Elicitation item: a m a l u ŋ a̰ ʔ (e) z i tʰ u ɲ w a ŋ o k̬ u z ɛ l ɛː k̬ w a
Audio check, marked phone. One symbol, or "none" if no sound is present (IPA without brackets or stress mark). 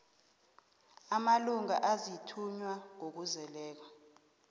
a